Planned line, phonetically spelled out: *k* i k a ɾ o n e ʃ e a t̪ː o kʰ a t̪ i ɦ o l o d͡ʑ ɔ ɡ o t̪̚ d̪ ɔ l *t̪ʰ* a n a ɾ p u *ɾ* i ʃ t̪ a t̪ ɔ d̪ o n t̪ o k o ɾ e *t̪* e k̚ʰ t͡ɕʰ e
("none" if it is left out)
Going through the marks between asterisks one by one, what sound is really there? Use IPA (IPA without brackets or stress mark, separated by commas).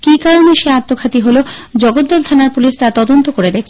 k, t̪ʰ, l, d̪